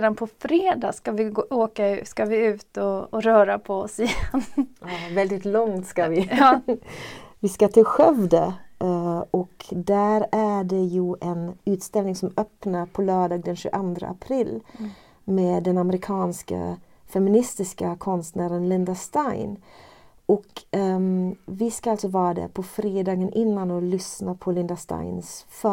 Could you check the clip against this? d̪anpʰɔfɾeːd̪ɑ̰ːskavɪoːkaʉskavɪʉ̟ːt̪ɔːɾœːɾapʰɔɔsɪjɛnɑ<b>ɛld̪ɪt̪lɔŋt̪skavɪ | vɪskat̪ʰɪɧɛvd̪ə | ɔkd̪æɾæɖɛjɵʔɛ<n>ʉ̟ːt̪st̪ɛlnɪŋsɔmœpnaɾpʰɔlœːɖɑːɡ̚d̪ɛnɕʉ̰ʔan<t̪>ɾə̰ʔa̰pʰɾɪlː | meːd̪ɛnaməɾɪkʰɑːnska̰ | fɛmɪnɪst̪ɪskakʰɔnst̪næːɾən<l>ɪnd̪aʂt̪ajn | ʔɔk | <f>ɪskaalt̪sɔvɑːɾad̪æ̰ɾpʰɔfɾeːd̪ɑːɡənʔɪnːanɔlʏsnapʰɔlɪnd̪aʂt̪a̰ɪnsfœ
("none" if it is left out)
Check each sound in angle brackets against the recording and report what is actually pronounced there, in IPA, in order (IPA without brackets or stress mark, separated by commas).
v, n, d̪, l, v